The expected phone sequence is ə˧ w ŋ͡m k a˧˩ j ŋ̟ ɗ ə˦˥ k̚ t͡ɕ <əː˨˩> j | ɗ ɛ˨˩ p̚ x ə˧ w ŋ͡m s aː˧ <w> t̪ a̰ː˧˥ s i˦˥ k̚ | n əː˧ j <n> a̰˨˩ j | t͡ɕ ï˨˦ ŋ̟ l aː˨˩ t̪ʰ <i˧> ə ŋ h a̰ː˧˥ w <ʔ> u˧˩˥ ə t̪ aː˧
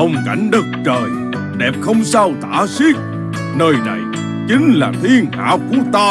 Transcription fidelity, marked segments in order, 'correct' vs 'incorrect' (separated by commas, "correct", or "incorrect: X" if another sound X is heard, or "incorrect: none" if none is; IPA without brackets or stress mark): correct, correct, correct, correct, incorrect: k